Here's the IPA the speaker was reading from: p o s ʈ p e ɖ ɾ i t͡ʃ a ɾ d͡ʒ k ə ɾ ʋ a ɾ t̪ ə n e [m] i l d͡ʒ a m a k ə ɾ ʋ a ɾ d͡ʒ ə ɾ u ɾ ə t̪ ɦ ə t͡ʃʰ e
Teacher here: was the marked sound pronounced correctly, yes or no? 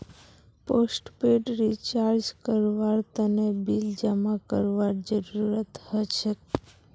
no